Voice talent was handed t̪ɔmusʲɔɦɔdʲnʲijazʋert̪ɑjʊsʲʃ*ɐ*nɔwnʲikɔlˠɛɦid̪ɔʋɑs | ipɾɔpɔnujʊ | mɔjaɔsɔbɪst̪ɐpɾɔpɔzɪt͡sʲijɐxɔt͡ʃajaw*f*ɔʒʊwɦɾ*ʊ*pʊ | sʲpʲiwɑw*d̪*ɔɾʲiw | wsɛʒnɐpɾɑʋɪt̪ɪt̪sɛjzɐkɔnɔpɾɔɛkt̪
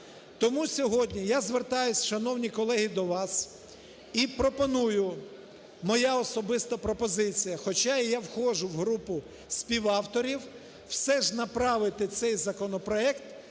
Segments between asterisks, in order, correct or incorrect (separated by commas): correct, incorrect, incorrect, incorrect